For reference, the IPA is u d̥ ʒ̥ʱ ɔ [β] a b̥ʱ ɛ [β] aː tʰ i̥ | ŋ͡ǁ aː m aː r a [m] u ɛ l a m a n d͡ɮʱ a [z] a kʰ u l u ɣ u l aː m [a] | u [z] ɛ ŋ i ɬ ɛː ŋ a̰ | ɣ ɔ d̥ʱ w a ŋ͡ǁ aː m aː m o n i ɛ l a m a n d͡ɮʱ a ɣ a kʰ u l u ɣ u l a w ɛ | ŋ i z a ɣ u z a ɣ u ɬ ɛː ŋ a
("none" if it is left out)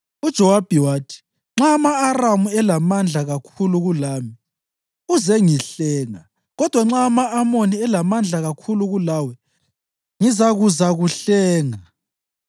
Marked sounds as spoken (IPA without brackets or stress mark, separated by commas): w, w, m, ɣ, i, z